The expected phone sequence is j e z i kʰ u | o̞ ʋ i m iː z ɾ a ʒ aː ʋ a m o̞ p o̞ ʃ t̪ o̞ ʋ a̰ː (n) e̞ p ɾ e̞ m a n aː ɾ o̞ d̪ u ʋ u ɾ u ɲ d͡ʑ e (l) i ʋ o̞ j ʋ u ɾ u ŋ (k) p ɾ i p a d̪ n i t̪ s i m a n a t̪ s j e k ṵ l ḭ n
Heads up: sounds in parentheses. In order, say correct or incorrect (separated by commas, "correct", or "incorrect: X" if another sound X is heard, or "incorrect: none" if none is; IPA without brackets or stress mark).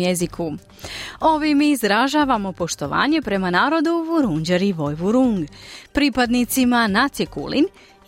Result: incorrect: ɲ, incorrect: ɾ, incorrect: ɡ